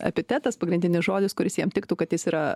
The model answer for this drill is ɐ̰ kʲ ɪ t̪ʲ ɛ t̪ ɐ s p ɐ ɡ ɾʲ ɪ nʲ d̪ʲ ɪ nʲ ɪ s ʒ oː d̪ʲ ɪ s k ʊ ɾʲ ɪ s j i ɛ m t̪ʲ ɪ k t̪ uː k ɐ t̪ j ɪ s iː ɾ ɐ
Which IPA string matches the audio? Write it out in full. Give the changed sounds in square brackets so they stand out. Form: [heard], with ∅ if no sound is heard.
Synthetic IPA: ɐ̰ [pʲ] ɪ t̪ʲ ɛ t̪ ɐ s p ɐ ɡ ɾʲ ɪ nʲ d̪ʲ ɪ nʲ ɪ s ʒ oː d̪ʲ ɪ s k ʊ ɾʲ ɪ s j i ɛ m t̪ʲ ɪ k t̪ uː k ɐ t̪ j ɪ s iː ɾ ɐ

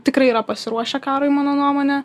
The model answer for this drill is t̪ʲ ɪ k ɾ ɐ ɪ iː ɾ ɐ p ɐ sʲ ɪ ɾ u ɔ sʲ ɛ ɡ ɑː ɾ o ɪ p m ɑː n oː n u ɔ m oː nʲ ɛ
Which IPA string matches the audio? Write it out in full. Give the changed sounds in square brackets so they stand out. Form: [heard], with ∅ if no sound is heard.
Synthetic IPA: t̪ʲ ɪ k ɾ ɐ ɪ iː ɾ ɐ p ɐ sʲ ɪ ɾ u ɔ [ʃʲ] ɛ [k] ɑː ɾ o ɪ [∅] m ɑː n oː n u ɔ m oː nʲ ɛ

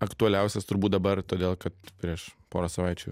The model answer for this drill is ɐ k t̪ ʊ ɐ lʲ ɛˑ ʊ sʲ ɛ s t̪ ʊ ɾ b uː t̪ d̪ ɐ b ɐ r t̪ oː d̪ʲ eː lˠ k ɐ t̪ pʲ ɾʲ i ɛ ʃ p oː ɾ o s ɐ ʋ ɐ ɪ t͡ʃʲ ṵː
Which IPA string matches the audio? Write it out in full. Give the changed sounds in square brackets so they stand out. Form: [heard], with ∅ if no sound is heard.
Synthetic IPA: ɐ k t̪ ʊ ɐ lʲ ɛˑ ʊ sʲ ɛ s t̪ ʊ ɾ b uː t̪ d̪ ɐ b ɐ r t̪ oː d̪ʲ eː lˠ k ɐ t̪ pʲ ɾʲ i ɛ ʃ p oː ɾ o s ɐ ʋ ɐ ɪ t͡ʃʲ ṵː

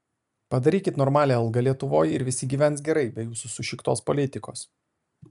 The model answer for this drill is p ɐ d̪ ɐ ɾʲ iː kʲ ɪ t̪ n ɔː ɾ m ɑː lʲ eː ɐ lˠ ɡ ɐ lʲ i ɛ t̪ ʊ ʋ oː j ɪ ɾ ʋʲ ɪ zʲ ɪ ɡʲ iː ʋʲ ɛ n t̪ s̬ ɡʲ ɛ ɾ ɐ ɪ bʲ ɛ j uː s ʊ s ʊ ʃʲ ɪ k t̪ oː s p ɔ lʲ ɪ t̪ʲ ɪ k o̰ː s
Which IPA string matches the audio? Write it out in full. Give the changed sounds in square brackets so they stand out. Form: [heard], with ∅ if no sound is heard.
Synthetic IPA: p ɐ d̪ ɐ ɾʲ iː kʲ ɪ t̪ n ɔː ɾ m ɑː lʲ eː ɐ lˠ ɡ ɐ lʲ i ɛ t̪ ʊ ʋ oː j ɪ ɾ ʋʲ ɪ [sʲ] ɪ ɡʲ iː ʋʲ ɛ n t̪ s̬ ɡʲ ɛ ɾ ɐ ɪ bʲ ɛ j uː s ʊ s ʊ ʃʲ ɪ k t̪ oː s p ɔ lʲ ɪ t̪ʲ ɪ k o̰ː s

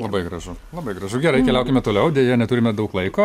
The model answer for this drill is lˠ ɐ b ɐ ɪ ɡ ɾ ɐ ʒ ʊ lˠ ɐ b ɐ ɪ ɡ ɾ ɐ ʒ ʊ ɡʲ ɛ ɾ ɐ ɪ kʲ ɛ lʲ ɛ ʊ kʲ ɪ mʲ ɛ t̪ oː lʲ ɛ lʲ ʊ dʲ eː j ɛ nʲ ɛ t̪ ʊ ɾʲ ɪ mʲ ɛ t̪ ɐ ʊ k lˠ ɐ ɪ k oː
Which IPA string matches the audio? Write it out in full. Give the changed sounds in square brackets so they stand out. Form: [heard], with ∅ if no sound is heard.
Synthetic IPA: lˠ ɐ b ɐ ɪ ɡ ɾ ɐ ʒ ʊ lˠ ɐ b ɐ ɪ ɡ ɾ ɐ ʒ ʊ ɡʲ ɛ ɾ ɐ ɪ kʲ ɛ lʲ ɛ ʊ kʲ ɪ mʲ ɛ t̪ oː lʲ ɛ [∅] ʊ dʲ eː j ɛ nʲ ɛ t̪ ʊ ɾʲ ɪ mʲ ɛ [d̪] ɐ ʊ k lˠ ɐ ɪ k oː

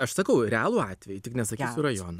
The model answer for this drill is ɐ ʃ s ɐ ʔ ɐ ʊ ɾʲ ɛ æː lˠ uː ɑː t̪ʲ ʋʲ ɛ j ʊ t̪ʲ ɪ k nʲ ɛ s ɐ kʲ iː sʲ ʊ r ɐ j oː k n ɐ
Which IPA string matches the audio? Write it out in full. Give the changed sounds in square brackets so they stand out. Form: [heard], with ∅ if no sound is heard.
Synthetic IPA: ɐ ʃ s ɐ [k] ɐ ʊ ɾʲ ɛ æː lˠ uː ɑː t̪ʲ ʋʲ ɛ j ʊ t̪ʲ ɪ k nʲ ɛ s ɐ kʲ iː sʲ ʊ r ɐ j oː [∅] n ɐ

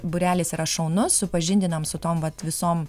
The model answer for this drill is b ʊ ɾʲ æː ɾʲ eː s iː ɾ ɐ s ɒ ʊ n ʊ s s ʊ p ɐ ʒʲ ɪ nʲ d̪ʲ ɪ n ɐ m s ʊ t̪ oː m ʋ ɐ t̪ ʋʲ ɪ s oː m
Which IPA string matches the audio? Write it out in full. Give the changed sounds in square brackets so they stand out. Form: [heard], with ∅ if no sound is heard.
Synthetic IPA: b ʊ ɾʲ æː [lʲ] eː s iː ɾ ɐ [ʃ] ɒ ʊ n ʊ s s ʊ p ɐ ʒʲ ɪ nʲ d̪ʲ ɪ n ɐ m s ʊ t̪ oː m ʋ ɐ t̪ ʋʲ ɪ s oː m

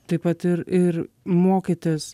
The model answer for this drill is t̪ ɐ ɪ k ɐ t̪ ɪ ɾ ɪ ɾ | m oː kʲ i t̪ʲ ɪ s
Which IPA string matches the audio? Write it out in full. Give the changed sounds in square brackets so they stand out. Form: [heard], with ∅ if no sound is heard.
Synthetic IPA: t̪ ɐ ɪ [p] ɐ t̪ ɪ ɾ ɪ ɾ | m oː kʲ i t̪ʲ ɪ s

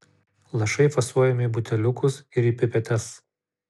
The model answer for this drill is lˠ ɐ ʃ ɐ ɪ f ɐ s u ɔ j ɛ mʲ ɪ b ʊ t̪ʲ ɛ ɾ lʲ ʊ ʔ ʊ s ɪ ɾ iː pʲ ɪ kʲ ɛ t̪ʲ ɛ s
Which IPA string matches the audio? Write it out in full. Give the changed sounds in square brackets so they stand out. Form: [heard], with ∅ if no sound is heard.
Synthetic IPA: lˠ ɐ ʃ ɐ ɪ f ɐ s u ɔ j ɛ mʲ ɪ b ʊ t̪ʲ ɛ [∅] lʲ ʊ [k] ʊ s ɪ ɾ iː pʲ ɪ [pʲ] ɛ t̪ʲ ɛ s

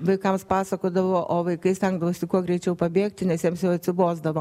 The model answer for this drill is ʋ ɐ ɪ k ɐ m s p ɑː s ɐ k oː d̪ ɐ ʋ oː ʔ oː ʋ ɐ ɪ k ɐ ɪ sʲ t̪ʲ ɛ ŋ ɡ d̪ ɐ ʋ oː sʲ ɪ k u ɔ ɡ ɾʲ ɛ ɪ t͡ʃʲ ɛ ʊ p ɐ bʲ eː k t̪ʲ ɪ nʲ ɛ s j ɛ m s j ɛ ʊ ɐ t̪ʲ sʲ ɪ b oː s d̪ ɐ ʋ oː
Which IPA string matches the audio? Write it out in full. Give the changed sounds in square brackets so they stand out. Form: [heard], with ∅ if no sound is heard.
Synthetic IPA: ʋ ɐ ɪ k ɐ m s p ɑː s ɐ k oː d̪ ɐ ʋ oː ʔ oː ʋ ɐ ɪ k ɐ ɪ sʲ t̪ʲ ɛ ŋ ɡ d̪ ɐ ʋ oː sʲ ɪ k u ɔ ɡ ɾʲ ɛ ɪ t͡ʃʲ ɛ ʊ p ɐ bʲ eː k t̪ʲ ɪ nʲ ɛ s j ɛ m s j ɛ ʊ ɐ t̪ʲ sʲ ɪ b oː [z] d̪ ɐ ʋ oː

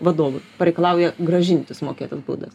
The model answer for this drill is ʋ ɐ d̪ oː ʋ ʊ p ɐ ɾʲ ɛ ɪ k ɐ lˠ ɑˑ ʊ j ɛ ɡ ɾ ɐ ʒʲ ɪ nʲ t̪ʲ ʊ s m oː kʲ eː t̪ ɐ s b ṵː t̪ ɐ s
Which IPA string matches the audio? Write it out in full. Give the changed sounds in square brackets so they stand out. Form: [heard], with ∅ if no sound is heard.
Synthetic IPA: ʋ ɐ d̪ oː ʋ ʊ p ɐ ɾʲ ɛ ɪ k ɐ lˠ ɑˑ ʊ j ɛ ɡ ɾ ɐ ʒʲ ɪ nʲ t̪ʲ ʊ s m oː kʲ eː t̪ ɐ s b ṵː [d̪] ɐ s

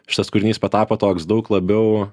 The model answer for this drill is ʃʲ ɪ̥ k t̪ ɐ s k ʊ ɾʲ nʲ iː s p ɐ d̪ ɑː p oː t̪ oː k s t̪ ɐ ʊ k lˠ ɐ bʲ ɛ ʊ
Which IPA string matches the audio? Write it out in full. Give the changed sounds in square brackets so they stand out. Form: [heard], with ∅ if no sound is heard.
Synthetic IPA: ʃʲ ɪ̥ [∅] t̪ ɐ s k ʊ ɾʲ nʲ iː s p ɐ [t̪] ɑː p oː t̪ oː k s [d̪] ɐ ʊ k lˠ ɐ bʲ ɛ ʊ

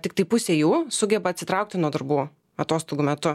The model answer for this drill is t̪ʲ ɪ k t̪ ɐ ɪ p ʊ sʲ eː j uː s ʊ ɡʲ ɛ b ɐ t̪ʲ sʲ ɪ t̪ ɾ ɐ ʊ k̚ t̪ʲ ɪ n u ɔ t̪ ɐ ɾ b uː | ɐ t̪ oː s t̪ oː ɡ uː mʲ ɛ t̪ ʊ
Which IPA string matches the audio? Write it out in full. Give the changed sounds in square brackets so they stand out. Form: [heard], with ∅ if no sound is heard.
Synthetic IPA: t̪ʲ ɪ k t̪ ɐ ɪ p ʊ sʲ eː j uː s ʊ ɡʲ ɛ b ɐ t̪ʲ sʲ ɪ t̪ ɾ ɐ ʊ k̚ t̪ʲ ɪ n u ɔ [d̪] ɐ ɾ b uː | ɐ t̪ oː s t̪ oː ɡ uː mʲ ɛ t̪ ʊ

